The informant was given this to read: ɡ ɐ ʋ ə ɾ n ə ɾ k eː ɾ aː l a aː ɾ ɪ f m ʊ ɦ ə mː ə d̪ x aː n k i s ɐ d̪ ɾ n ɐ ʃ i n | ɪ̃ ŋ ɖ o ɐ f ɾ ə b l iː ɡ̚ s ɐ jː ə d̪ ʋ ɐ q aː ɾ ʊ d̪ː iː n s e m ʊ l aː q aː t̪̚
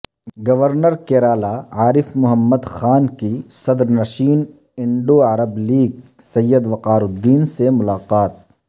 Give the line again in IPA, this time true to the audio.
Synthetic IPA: ɡ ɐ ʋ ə ɾ n ə ɾ k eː ɾ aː l a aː ɾ ɪ f m ʊ ɦ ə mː ə d̪ x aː n k i s ɐ d̪ ɾ n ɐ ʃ iː n | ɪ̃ ɳ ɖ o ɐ ɾ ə b l iː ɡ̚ s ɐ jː ə d̪ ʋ ɐ q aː ɾ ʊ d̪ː iː n s e m ʊ l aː q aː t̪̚